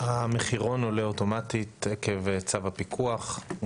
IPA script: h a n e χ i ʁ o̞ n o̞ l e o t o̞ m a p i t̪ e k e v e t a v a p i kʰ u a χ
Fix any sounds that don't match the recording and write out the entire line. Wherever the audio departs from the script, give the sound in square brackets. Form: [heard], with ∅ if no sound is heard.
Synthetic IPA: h a [m] e χ i ʁ o̞ n o̞ l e o t o̞ m a [t] i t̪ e k e v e [t͡s] a v a p i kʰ u a χ